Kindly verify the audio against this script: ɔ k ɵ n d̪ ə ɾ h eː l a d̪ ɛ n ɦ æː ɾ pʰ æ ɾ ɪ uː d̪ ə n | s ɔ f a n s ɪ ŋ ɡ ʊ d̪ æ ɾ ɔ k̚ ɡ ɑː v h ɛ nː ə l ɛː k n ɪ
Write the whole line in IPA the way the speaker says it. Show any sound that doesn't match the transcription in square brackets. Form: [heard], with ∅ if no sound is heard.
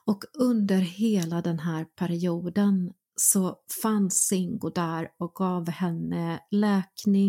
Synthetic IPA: ɔ k ɵ n d̪ ə ɾ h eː l a d̪ ɛ n ɦ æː ɾ pʰ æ ɾ ɪ uː d̪ ə n | s ɔ f a n s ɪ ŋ ɡ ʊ d̪ æ ɾ ɔ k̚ ɡ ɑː v h ɛ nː ə l ɛː k n ɪ